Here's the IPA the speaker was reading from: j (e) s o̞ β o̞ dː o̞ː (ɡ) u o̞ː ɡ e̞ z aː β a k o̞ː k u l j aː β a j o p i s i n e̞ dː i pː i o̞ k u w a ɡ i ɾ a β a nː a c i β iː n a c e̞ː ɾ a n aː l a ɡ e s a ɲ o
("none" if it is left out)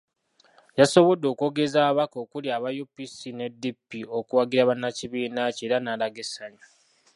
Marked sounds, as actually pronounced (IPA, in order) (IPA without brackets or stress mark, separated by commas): a, k